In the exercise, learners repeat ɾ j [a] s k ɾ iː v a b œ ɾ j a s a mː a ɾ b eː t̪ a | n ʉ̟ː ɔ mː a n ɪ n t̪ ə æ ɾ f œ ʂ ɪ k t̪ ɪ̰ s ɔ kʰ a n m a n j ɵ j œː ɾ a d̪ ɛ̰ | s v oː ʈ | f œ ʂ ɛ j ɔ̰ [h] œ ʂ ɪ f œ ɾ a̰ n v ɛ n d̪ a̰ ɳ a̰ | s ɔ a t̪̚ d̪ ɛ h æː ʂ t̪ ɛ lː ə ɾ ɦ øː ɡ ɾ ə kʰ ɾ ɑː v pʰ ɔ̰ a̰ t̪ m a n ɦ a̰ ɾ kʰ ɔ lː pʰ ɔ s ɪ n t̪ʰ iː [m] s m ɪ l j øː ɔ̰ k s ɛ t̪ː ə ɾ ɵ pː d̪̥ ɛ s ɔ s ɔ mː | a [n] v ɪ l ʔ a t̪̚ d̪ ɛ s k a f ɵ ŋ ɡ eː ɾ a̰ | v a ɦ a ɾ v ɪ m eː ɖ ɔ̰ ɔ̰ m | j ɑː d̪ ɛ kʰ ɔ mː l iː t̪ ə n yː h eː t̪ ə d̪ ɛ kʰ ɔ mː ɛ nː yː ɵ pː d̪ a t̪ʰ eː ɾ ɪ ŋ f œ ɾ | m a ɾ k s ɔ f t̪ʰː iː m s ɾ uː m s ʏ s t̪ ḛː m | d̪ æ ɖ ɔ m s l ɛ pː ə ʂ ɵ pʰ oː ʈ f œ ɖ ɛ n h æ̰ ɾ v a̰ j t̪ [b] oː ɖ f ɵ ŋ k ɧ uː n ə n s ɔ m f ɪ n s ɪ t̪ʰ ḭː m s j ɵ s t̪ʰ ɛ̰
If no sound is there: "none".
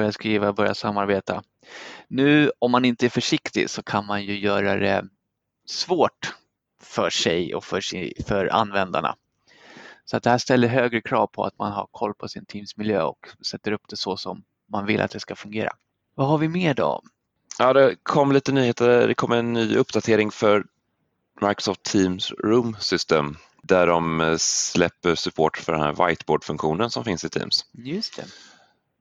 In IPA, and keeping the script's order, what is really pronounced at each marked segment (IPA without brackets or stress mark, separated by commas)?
a, f, m, n, b